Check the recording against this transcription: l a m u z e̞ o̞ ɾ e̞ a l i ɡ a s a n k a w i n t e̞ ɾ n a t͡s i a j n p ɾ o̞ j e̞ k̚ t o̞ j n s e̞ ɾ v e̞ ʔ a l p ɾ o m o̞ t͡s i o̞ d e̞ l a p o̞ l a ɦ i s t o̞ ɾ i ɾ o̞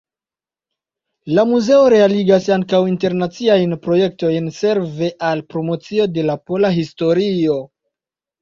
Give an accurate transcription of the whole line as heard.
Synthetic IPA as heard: l a m u z e̞ o̞ ɾ e̞ a l i ɡ a s a ŋ k a w i n t e̞ ɾ n a t͡s i a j n p ɾ o̞ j e̞ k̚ t o̞ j n s e̞ ɾ v e̞ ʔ a l p ɾ o m o̞ t͡s i o̞ d e̞ l a p o̞ l a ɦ i s t o̞ ɾ i o̞